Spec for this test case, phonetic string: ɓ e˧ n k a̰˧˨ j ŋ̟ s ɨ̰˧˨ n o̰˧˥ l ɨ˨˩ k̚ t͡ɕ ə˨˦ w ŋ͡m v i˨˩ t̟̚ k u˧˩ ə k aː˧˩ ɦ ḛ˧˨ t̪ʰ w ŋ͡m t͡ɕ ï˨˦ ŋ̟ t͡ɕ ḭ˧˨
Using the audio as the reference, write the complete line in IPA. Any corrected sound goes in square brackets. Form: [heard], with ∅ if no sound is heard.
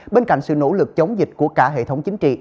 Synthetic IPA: ɓ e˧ n k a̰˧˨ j ŋ̟ s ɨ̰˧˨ n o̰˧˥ l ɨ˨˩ k̚ t͡ɕ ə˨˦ w ŋ͡m [z] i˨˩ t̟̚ k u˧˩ ə k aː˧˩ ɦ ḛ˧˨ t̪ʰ w ŋ͡m t͡ɕ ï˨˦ ŋ̟ t͡ɕ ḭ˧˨